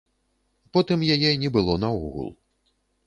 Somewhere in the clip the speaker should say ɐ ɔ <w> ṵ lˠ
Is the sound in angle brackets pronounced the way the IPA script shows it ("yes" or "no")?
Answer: no